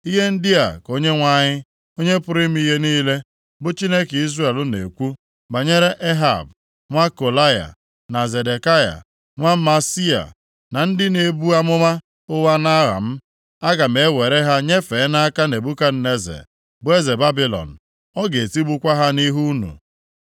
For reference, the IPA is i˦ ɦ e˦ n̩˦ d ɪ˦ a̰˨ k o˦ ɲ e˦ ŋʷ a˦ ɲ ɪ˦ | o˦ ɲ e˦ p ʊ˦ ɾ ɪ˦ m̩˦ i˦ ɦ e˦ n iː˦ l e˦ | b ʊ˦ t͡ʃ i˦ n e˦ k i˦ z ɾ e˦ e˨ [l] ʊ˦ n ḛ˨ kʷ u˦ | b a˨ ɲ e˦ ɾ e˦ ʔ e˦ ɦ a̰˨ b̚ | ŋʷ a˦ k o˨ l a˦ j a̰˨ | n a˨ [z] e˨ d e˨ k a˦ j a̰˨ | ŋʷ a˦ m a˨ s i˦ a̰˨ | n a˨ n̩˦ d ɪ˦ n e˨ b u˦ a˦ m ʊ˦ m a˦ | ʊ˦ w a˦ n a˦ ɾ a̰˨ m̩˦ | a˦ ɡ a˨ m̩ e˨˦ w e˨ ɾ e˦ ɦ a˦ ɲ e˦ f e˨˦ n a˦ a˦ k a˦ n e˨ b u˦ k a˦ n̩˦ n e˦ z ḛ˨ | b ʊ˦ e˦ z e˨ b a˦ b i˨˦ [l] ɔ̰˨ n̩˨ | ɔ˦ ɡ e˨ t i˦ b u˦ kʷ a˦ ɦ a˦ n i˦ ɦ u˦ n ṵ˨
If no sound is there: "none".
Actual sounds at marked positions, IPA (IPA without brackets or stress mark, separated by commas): l, z, l